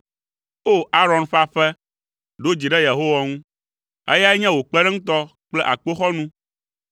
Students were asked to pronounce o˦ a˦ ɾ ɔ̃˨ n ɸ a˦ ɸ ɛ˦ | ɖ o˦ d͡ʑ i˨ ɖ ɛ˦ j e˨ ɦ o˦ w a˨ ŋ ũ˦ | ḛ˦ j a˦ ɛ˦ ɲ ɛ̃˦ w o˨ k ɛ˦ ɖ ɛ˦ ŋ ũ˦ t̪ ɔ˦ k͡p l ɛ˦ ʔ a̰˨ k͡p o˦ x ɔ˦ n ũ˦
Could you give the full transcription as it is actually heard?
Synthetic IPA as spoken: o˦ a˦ ɾ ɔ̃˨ n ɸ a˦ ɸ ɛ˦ | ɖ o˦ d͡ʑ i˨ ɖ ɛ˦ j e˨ ɦ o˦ w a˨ ŋ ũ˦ | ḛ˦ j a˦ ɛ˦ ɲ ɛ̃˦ w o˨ k͡p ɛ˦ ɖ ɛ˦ ŋ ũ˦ t̪ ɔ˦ k͡p l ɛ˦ ʔ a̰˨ k͡p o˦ x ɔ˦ n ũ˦